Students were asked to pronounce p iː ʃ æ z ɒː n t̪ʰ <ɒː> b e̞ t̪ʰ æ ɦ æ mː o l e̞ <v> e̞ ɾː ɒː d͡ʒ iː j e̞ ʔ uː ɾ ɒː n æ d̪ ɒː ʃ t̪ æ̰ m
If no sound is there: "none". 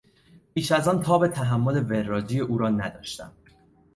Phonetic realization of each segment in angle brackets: ɒː, v

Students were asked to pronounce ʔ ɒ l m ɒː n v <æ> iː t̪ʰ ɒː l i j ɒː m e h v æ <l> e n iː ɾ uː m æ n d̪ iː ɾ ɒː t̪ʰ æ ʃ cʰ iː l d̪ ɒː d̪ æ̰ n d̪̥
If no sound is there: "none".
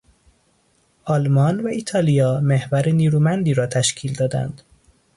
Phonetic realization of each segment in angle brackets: æ, ɾ

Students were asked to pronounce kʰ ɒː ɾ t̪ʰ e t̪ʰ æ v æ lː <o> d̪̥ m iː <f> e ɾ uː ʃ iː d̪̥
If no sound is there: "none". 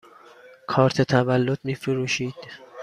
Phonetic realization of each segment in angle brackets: o, f

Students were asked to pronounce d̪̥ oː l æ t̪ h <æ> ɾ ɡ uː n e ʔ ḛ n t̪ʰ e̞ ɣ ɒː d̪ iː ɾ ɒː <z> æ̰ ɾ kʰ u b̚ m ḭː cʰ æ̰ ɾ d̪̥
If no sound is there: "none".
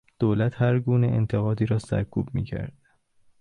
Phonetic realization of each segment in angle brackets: æ, s

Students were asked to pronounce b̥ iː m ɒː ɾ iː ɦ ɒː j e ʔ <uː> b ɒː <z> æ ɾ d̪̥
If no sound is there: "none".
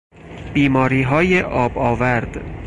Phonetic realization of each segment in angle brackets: ɒː, v

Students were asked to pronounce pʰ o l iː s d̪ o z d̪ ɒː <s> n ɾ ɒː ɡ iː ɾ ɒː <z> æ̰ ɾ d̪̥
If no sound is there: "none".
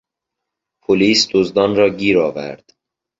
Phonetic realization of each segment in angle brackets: none, v

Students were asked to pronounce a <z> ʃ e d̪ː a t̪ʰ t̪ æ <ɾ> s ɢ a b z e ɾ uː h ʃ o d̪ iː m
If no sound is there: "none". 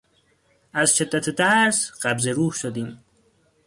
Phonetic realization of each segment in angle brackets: z, ɾ

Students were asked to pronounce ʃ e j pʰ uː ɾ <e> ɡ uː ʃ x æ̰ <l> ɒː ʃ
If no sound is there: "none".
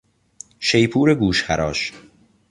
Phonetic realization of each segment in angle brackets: e, ɾ

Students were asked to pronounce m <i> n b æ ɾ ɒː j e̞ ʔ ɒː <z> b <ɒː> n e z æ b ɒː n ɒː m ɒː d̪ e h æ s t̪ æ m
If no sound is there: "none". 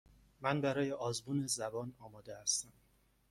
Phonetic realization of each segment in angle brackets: æ, z, uː

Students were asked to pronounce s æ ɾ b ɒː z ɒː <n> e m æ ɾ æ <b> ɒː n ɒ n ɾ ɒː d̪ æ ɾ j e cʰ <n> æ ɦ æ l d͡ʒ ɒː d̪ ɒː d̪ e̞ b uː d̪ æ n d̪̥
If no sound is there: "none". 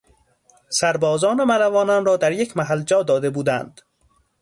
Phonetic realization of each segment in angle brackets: n, v, m

